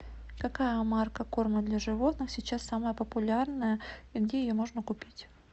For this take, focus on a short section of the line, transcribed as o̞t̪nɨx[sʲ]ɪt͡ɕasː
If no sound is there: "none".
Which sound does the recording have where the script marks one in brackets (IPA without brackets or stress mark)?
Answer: sʲ